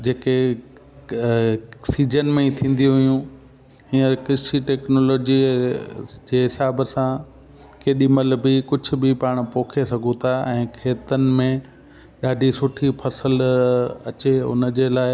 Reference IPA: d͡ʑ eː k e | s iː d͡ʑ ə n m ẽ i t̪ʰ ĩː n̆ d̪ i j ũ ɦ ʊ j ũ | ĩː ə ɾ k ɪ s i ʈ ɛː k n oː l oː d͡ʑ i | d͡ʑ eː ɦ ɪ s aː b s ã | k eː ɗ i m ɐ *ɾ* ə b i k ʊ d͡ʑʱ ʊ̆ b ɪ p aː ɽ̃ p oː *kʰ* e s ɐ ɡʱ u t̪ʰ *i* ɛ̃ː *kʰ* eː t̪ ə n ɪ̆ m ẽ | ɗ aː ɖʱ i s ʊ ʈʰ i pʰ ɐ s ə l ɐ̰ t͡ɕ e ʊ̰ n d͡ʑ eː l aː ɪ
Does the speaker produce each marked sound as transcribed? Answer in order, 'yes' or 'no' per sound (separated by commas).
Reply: no, yes, no, yes